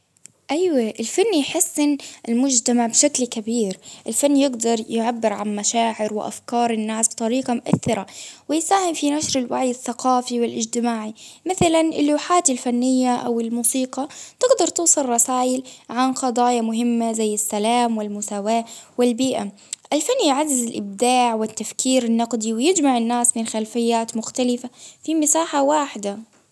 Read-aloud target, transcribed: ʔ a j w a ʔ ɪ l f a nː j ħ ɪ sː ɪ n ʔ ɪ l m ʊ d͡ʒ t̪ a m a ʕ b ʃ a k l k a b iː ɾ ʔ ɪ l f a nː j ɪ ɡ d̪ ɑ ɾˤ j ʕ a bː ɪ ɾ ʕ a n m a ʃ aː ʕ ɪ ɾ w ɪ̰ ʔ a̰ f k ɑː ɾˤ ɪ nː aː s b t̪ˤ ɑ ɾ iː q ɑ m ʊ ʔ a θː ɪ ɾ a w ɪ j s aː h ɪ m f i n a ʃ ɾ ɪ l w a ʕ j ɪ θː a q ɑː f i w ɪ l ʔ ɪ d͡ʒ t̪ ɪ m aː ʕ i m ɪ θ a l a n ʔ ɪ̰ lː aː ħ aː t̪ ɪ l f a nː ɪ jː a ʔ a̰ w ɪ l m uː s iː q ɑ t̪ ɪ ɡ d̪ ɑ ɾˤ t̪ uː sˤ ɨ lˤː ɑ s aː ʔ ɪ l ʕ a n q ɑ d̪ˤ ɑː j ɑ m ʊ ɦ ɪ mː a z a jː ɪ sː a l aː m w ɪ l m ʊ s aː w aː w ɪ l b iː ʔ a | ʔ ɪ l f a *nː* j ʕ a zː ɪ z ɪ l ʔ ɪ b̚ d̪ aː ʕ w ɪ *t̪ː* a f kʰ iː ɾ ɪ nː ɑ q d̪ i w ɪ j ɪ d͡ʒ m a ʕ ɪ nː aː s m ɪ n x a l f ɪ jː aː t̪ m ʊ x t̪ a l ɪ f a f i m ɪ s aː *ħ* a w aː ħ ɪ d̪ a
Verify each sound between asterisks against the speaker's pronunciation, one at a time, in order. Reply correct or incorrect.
correct, correct, correct

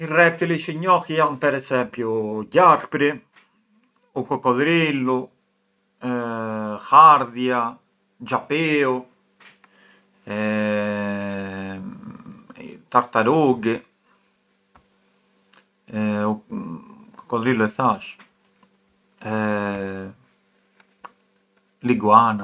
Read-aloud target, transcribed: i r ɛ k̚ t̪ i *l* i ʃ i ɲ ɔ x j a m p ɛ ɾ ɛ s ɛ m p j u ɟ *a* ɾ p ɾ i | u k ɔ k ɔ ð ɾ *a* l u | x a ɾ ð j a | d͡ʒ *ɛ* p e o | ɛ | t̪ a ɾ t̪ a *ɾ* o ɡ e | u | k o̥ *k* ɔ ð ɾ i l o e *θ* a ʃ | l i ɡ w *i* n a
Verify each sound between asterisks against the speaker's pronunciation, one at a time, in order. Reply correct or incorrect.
correct, correct, incorrect: i, incorrect: a, correct, correct, correct, incorrect: a

